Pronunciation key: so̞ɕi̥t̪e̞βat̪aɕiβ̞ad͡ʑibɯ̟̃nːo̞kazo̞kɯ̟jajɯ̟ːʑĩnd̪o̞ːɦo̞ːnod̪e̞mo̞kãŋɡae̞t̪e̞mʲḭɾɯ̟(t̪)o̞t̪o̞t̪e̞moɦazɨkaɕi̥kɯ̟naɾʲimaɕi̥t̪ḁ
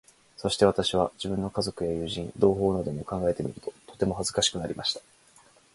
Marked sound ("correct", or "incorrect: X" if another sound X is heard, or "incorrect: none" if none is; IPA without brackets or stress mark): correct